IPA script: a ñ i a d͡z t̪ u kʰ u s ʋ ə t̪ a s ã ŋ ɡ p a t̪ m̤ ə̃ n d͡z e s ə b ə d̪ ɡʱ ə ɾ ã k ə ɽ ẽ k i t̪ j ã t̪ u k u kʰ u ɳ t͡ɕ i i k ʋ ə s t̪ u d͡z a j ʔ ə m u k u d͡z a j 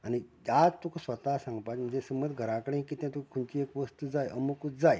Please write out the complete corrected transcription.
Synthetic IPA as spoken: a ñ i a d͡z t̪ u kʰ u s ʋ ə t̪ a s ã ŋ ɡ p a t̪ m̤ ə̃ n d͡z e s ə m ə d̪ ɡʱ ə ɾ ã k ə ɽ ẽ k i t̪ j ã t̪ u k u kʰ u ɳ t͡ɕ i e k ʋ ə s t̪ u d͡z a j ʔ ə m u k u d͡z a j